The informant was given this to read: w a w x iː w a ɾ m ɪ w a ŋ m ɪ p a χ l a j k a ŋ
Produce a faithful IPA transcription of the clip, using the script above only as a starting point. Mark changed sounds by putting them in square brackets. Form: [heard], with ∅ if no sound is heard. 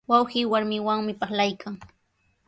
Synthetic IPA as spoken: w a w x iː w a ɾ m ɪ w a ŋ m ɪ p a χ l a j k a ŋ